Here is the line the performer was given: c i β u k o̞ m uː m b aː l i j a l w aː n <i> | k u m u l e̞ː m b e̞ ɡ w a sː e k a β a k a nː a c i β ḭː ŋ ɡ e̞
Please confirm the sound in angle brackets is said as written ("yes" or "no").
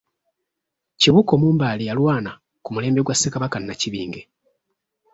no